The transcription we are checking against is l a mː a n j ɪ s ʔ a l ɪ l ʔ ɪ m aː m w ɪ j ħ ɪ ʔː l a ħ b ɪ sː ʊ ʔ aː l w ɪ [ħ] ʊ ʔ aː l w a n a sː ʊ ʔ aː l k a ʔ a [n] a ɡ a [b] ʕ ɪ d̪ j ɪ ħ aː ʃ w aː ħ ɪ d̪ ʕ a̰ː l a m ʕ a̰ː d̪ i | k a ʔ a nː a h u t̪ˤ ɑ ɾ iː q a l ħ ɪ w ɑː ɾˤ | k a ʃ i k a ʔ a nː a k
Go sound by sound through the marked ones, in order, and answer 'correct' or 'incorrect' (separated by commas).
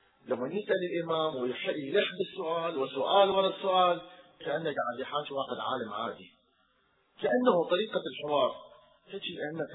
incorrect, incorrect, incorrect